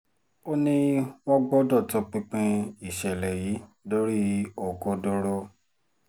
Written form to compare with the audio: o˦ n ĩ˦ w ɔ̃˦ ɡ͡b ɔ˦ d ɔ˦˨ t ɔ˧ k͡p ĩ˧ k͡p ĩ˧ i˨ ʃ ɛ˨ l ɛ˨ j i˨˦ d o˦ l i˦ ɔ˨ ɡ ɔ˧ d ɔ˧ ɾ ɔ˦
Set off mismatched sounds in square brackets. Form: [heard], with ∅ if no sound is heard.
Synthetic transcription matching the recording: o˦ n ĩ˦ w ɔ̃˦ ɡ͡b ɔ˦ d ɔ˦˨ t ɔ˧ k͡p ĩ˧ k͡p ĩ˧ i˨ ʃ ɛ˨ l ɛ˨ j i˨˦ d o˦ [ɾ] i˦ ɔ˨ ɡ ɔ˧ d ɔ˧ ɾ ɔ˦